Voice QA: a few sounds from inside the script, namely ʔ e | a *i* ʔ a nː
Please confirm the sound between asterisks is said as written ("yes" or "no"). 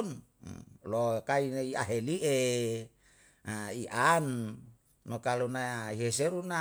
yes